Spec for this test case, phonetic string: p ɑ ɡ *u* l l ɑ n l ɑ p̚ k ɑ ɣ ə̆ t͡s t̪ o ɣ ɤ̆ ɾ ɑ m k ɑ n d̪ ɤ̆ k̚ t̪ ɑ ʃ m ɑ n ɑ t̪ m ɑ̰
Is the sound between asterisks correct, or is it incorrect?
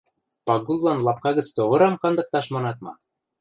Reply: correct